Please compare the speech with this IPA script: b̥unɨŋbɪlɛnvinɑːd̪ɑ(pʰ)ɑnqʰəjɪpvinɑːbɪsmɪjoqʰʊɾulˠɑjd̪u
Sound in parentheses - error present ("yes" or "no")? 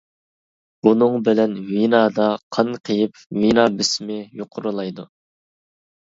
yes